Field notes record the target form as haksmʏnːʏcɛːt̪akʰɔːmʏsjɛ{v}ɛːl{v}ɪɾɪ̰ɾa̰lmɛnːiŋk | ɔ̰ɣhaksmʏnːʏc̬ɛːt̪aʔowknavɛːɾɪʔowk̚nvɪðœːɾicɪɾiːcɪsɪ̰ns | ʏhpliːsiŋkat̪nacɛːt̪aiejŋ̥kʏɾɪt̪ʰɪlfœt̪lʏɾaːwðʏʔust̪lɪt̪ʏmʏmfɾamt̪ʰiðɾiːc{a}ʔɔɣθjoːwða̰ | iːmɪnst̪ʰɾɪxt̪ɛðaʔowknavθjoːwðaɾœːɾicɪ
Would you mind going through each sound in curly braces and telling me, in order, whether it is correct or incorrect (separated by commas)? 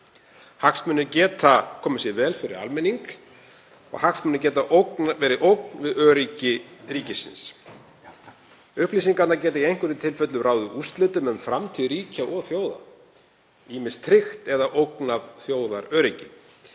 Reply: correct, incorrect, correct